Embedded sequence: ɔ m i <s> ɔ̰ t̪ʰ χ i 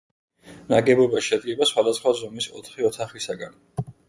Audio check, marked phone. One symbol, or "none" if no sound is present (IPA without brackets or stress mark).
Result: s